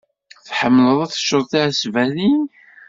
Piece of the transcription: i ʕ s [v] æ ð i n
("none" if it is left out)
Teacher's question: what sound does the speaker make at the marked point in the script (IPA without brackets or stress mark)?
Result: v